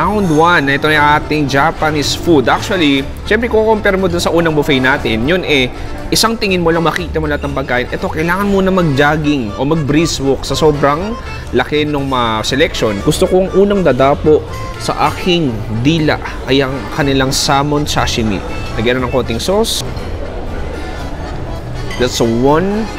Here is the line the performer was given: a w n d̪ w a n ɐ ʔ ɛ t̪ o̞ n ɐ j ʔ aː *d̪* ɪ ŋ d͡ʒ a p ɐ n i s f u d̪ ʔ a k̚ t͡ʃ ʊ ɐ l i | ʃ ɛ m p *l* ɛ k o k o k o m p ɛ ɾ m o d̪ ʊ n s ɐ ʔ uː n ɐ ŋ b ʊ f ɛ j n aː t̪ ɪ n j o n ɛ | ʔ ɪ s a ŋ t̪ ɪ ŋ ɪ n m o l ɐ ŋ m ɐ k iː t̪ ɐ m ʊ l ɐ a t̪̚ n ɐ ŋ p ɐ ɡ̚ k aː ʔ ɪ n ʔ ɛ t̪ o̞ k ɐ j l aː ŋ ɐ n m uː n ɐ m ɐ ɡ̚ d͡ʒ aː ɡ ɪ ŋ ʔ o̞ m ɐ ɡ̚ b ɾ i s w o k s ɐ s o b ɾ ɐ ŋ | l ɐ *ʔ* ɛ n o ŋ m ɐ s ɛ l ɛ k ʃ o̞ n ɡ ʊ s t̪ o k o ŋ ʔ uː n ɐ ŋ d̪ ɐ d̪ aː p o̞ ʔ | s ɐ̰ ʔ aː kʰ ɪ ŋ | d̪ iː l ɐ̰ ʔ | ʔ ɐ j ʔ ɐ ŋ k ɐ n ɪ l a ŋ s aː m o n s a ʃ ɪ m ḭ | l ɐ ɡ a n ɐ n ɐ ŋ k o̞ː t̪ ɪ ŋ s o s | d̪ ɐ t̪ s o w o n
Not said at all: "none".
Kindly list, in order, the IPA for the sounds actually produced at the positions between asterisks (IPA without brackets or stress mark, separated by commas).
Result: t̪, ɾ, k